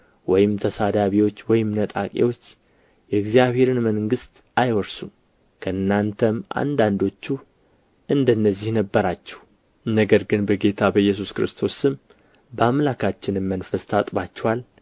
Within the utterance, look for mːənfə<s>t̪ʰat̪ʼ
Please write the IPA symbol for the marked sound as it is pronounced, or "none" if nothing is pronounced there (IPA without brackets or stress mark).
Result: s